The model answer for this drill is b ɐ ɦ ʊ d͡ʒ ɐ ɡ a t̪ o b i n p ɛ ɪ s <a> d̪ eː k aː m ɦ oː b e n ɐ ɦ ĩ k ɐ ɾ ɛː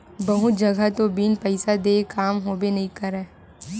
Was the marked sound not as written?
no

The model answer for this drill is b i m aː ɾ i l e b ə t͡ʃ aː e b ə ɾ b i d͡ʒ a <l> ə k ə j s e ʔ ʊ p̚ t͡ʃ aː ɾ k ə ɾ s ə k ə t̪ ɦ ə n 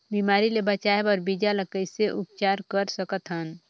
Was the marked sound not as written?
no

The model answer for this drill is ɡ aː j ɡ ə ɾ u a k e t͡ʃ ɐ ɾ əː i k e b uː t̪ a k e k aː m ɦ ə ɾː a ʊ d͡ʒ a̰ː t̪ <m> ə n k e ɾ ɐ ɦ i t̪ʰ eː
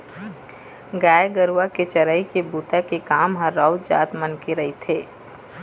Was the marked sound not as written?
no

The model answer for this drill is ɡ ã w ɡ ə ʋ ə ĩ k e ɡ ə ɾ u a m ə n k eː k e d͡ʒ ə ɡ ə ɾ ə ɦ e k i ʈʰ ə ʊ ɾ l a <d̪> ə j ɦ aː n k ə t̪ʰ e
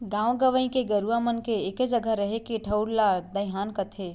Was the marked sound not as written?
no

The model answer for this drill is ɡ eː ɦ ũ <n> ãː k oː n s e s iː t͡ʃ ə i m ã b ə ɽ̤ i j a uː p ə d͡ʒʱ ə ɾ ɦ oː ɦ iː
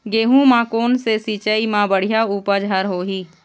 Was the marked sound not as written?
yes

